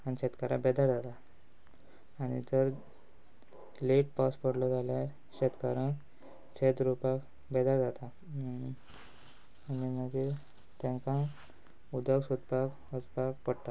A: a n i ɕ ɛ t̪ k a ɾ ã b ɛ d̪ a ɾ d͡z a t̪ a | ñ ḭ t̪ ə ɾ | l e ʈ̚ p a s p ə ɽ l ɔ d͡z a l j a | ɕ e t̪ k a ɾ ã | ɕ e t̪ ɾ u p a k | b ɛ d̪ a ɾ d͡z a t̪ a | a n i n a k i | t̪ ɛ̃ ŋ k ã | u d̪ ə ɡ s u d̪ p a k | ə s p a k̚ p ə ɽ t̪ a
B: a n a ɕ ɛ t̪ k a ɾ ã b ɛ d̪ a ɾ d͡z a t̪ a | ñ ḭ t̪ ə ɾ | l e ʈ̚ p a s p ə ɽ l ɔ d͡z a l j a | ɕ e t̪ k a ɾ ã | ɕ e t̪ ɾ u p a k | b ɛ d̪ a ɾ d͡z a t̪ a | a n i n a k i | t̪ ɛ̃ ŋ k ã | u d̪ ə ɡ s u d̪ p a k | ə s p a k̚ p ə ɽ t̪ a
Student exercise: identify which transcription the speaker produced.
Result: A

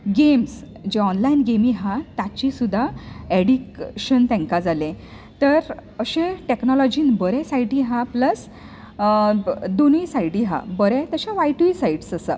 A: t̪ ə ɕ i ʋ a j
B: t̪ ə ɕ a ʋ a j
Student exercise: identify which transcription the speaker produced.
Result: B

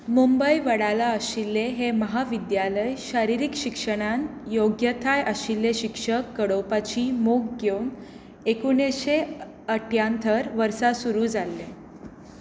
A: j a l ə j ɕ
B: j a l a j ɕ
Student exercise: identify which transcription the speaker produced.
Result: A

